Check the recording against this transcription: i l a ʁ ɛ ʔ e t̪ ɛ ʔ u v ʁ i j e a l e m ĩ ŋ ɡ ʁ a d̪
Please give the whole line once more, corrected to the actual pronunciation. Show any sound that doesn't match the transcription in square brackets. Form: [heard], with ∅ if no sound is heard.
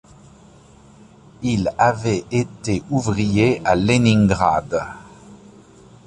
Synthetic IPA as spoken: i l a [v] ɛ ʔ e t̪ [e] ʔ u v ʁ i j e a l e [n] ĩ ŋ ɡ ʁ a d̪